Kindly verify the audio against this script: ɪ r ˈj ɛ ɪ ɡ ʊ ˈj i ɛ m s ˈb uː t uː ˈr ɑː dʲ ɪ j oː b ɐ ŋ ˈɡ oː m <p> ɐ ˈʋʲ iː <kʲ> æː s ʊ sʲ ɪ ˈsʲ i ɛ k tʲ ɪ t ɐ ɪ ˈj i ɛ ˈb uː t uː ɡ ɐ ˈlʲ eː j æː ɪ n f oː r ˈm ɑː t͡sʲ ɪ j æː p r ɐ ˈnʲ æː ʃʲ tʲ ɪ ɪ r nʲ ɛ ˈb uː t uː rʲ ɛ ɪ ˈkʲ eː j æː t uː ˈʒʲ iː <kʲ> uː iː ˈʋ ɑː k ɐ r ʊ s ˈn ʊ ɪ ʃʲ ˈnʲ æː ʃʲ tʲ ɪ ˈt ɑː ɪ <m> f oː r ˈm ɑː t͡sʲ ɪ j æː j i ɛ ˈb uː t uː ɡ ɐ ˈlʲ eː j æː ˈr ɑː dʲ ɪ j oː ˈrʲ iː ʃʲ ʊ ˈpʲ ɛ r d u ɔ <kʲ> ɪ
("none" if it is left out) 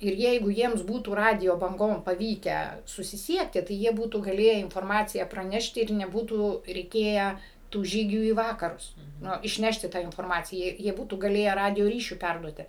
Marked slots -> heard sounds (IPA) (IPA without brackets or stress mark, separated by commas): p, kʲ, ɡʲ, n, tʲ